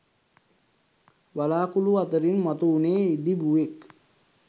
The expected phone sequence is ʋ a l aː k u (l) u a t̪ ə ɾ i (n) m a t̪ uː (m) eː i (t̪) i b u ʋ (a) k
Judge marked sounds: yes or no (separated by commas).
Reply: yes, yes, no, no, no